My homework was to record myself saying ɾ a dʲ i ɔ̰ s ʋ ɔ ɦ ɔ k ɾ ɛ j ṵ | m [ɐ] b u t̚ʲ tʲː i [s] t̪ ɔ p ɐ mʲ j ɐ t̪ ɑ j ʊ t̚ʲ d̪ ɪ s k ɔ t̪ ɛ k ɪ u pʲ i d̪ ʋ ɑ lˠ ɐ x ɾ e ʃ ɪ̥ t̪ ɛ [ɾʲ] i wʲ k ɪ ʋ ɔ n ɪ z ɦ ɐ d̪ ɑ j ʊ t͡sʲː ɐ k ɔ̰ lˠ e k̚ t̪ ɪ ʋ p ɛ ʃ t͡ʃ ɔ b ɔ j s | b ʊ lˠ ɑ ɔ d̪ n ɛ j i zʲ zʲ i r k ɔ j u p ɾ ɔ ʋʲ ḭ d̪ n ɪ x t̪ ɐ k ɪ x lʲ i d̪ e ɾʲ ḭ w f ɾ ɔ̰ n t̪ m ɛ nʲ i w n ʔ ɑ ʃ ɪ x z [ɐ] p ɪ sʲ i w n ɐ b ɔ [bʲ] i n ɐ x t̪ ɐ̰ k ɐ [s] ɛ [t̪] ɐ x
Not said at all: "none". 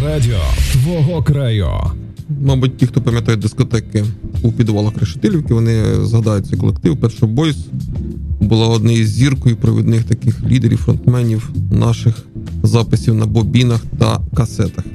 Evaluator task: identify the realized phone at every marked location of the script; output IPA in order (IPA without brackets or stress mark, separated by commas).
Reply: ɑ, x, lʲ, ɑ, bʲ, s, t̪